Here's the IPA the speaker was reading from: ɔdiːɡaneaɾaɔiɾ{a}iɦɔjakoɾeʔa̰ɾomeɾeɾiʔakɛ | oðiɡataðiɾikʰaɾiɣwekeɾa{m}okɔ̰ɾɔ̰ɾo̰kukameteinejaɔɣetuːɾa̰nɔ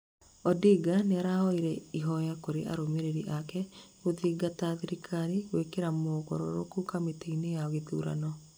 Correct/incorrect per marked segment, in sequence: incorrect, correct

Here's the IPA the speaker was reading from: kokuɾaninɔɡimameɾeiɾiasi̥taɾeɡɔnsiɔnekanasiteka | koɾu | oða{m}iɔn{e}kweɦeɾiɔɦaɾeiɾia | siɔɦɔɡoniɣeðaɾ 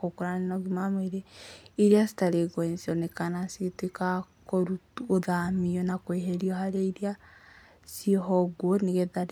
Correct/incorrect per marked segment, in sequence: correct, incorrect

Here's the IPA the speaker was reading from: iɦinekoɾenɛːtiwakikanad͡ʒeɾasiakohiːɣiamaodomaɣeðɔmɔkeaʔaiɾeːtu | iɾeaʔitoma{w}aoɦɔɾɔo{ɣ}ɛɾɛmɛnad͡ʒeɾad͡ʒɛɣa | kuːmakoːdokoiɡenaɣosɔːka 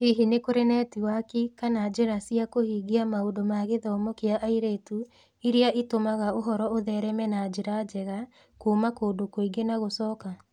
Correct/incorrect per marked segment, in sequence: incorrect, incorrect

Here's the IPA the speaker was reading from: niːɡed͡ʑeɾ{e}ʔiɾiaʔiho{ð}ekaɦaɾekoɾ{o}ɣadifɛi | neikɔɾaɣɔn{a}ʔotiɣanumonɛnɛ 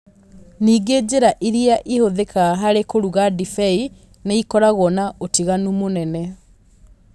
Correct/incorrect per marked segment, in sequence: incorrect, correct, incorrect, correct

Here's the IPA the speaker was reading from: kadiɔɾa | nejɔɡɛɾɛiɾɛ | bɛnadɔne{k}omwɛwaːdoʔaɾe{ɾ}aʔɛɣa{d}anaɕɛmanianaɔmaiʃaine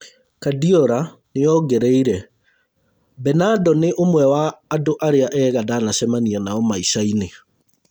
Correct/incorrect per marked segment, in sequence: incorrect, incorrect, correct

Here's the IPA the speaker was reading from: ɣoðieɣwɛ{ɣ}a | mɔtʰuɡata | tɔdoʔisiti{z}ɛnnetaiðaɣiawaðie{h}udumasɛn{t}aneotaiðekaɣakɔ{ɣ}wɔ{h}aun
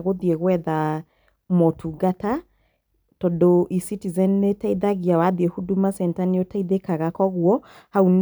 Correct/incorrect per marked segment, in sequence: incorrect, correct, correct, correct, correct, correct

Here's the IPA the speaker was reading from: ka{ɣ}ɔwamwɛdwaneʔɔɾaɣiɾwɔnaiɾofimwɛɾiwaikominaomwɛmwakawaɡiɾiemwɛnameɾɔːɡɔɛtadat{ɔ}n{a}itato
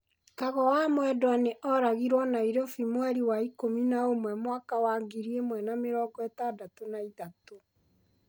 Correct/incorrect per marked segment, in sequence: correct, incorrect, correct

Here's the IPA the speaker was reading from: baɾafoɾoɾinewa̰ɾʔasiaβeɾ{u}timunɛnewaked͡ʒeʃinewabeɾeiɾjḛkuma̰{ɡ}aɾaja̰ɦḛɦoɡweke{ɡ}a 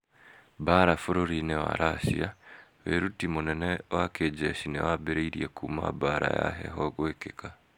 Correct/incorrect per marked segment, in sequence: correct, incorrect, incorrect

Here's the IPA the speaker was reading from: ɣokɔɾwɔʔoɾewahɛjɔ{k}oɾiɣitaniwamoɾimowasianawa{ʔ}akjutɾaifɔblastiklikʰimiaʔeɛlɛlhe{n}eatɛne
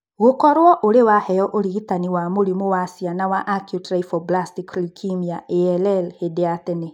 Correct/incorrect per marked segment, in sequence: incorrect, correct, incorrect

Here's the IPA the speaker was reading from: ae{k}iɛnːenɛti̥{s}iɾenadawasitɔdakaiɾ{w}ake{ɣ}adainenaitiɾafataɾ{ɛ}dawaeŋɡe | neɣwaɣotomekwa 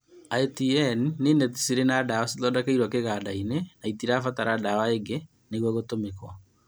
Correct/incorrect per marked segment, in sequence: incorrect, correct, correct, correct, incorrect

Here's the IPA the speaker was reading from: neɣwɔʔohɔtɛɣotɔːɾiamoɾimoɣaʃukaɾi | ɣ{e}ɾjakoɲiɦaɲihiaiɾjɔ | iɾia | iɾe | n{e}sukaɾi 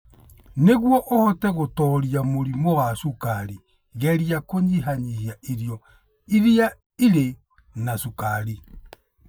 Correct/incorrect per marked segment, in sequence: incorrect, incorrect

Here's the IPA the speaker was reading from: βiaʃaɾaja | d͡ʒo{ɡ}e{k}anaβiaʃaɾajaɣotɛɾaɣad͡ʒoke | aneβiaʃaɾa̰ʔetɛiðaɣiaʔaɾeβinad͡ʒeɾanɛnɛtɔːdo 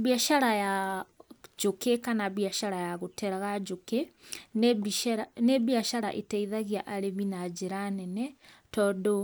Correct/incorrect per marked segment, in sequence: incorrect, correct

